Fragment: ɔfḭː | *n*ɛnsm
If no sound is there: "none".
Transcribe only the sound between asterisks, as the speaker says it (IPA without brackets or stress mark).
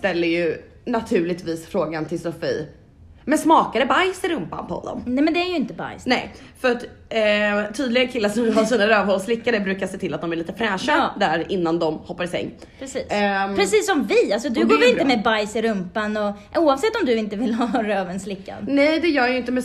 m